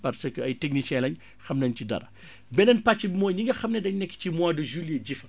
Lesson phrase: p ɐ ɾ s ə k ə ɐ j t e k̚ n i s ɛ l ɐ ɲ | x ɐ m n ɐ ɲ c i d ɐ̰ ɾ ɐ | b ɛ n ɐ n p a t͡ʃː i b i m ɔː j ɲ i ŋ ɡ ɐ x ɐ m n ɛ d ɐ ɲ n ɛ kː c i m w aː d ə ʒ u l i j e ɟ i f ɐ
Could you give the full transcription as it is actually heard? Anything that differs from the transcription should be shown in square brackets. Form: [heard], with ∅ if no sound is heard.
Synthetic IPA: p ɐ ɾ s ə k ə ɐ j t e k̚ n i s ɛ l ɐ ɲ | x ɐ m n ɐ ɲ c i d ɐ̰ ɾ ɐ | b ɛ n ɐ n p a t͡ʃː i b i m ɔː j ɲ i ŋ ɡ ɐ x ɐ m n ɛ d ɐ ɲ n ɛ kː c i m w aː d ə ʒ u l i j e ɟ i f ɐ